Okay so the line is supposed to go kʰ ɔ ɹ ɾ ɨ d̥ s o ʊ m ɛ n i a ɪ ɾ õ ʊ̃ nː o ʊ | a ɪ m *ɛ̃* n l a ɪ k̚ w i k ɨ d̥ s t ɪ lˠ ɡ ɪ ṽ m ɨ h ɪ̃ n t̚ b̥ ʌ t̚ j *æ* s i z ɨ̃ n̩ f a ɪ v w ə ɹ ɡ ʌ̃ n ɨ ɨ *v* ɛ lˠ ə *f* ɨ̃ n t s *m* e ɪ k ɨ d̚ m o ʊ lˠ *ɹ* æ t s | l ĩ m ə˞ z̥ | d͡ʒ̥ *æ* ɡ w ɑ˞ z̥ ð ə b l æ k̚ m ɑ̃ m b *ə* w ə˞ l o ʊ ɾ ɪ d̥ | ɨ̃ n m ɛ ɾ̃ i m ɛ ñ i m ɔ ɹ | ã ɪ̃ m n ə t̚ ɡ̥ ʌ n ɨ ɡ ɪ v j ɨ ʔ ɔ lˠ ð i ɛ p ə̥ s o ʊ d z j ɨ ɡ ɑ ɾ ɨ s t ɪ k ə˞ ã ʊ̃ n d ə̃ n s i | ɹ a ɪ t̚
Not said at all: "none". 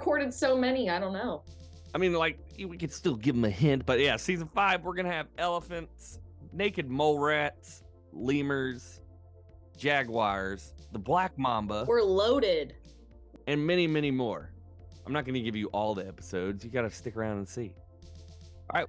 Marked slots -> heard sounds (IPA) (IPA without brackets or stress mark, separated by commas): ĩ, æ, v, f, n, ɹ, æ, ə